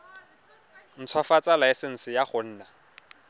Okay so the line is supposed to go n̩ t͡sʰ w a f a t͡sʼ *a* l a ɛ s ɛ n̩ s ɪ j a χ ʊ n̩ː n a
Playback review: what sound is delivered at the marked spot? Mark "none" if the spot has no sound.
a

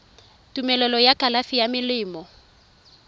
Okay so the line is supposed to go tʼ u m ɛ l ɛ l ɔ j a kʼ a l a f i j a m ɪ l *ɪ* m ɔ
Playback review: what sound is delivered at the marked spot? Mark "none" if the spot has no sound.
ɪː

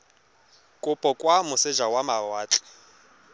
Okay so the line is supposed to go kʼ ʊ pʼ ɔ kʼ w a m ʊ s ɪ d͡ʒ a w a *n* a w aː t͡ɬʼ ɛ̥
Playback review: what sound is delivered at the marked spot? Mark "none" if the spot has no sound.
m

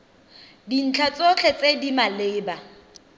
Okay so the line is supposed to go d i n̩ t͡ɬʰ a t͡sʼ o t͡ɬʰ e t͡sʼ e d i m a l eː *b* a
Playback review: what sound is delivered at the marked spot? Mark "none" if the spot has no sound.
b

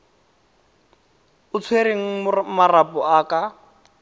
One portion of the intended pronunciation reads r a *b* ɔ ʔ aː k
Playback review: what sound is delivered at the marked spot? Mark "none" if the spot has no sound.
p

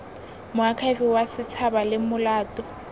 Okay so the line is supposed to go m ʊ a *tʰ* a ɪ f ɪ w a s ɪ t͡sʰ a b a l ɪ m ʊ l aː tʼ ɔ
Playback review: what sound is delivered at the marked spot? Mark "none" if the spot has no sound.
kʰ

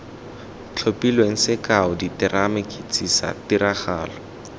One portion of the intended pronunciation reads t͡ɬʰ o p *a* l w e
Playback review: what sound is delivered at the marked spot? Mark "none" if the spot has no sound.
i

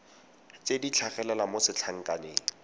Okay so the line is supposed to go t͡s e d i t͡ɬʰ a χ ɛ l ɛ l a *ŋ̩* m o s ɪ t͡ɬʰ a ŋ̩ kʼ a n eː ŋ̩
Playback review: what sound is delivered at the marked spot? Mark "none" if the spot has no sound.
none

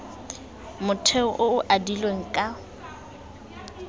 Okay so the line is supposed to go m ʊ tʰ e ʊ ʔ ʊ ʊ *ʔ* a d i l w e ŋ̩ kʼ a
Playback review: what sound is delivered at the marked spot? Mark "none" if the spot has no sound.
ʔ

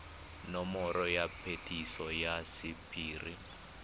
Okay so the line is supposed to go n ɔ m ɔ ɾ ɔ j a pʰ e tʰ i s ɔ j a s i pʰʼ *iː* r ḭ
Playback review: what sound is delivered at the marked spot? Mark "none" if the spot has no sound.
iː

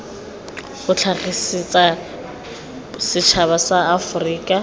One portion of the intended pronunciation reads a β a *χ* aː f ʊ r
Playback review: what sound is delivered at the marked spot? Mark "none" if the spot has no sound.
s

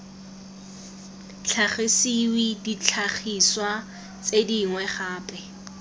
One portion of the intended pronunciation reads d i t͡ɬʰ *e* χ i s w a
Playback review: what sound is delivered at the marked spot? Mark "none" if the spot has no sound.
a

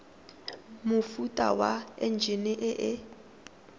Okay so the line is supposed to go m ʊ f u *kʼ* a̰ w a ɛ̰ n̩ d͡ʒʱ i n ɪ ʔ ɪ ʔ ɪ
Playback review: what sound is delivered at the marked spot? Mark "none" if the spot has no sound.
tʼ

